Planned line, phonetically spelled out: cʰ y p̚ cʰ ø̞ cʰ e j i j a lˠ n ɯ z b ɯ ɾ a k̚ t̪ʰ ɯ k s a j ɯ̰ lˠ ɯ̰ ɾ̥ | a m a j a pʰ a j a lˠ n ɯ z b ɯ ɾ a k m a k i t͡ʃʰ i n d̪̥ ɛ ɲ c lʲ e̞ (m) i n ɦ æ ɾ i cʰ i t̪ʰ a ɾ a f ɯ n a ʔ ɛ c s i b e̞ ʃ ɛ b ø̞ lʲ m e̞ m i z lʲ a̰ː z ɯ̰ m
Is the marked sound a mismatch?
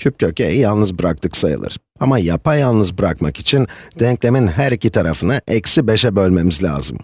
no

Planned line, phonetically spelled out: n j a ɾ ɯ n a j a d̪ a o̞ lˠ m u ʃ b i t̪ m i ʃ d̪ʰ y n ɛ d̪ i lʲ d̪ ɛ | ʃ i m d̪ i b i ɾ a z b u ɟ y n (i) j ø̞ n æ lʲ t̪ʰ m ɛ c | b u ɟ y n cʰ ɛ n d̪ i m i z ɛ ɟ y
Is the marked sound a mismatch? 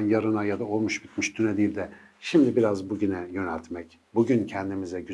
yes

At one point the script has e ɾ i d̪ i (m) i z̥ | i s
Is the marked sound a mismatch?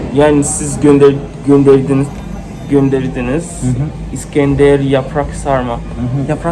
yes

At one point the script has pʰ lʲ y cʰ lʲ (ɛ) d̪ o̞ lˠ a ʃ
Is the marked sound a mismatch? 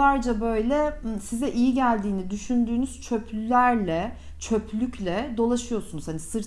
no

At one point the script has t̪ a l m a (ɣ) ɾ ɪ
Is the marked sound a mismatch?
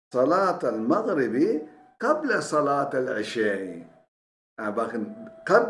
no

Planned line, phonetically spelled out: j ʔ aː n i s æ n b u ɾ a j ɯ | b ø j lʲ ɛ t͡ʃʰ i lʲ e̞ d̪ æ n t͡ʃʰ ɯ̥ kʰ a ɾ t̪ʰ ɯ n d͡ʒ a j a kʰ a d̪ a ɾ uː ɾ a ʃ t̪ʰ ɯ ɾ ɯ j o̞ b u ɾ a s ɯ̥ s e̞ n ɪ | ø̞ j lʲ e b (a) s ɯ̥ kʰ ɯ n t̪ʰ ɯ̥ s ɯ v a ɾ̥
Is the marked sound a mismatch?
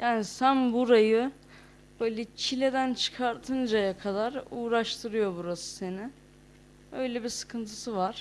yes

